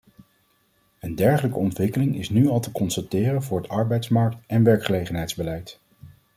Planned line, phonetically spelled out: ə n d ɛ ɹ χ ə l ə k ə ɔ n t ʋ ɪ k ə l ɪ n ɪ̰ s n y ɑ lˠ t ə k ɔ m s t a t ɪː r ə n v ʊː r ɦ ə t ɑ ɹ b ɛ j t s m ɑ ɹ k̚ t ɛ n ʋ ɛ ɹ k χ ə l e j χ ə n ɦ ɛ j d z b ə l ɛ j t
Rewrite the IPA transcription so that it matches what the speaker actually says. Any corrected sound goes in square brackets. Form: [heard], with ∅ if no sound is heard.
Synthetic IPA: ə n d ɛ ɹ χ ə l ə k ə ɔ n t ʋ ɪ k ə l ɪ [ŋ] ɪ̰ s n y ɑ lˠ t ə k ɔ [n] s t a t ɪː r ə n v ʊː [ɹ] ɦ ə t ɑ ɹ b ɛ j t s m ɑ ɹ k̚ t ɛ n ʋ ɛ ɹ k χ ə l e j χ ə n ɦ ɛ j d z b ə l ɛ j t

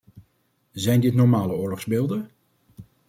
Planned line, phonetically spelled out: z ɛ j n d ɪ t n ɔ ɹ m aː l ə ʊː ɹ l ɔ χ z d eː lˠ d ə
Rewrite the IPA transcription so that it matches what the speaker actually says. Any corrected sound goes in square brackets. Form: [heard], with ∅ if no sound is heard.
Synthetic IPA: z ɛ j n d ɪ t n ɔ ɹ m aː l ə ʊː ɹ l ɔ χ z [b] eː lˠ d ə

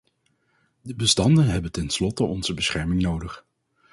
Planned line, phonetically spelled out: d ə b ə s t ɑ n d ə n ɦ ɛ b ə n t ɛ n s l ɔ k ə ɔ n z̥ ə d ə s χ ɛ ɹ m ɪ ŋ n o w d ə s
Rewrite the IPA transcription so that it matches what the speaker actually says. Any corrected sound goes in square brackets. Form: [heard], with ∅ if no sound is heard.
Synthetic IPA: d ə b ə s t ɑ n d ə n ɦ ɛ b ə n t ɛ n s l ɔ [t] ə ɔ n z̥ ə [b] ə s χ ɛ ɹ m ɪ ŋ n o w d ə [χ]

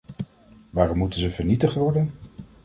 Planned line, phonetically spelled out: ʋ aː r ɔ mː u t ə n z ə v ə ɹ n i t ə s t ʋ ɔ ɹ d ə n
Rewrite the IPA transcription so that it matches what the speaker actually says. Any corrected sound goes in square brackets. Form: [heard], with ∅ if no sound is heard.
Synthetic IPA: ʋ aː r ɔ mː u t ə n z ə v ə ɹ n i t ə [χ] t ʋ ɔ ɹ d ə n

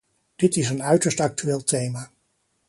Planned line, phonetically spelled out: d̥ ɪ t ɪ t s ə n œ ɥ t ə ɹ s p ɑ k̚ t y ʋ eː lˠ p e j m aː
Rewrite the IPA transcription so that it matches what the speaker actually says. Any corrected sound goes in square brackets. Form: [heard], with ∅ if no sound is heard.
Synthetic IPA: d̥ ɪ t ɪ [∅] s ə n œ ɥ t ə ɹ s [t] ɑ k̚ t y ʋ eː lˠ [t] e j m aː

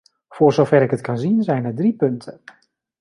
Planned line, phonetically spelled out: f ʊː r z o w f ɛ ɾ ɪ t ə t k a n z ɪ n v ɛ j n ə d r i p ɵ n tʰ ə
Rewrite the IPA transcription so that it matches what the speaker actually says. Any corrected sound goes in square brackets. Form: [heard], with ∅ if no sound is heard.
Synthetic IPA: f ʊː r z o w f ɛ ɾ ɪ [k] ə t k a n z [i] n [z] ɛ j n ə d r i p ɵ n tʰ ə

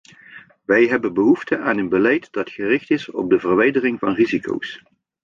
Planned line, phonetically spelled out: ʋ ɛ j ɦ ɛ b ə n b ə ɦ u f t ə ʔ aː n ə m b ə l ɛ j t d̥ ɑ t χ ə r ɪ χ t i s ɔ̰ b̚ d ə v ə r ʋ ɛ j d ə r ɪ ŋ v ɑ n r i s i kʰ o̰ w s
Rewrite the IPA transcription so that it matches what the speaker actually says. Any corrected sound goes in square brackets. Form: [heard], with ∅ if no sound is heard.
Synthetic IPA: ʋ ɛ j ɦ ɛ b ə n b ə ɦ u f t ə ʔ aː n ə [n] b ə l ɛ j t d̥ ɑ t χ ə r ɪ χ t [ɪ] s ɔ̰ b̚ d ə v ə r ʋ ɛ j d ə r ɪ ŋ v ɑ n r i [z] i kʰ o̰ w s

